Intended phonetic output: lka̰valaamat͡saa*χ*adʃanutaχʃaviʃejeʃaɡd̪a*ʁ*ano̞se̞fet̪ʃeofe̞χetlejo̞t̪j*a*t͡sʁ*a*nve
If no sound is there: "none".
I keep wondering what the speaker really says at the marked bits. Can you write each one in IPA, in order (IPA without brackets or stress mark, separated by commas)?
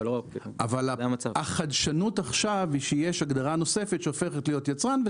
χ, ʁ, a, a